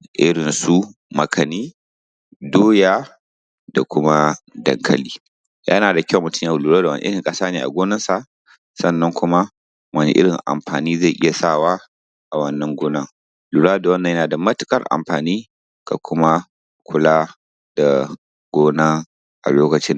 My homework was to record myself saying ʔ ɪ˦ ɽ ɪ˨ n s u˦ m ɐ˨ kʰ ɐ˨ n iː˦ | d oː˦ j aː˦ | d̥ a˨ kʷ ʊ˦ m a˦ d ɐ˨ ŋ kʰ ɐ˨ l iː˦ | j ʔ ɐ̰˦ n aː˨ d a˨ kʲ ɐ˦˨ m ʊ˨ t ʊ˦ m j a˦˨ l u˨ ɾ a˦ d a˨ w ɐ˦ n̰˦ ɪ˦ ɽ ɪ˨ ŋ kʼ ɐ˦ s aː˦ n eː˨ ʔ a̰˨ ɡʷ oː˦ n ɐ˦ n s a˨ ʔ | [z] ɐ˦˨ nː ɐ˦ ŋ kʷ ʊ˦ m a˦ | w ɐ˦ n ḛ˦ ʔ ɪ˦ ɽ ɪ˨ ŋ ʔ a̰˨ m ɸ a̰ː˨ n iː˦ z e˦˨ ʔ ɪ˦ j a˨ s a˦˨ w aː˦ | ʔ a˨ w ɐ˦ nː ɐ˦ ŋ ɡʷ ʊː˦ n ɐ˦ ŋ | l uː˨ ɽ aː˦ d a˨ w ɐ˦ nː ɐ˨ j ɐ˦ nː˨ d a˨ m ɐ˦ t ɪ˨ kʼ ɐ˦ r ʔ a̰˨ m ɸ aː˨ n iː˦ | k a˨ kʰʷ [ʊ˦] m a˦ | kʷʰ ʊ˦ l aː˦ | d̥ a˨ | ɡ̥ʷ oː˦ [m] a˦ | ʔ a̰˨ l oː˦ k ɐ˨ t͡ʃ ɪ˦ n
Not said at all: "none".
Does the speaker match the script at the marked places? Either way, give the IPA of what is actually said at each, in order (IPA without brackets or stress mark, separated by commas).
s, ʊ˦, n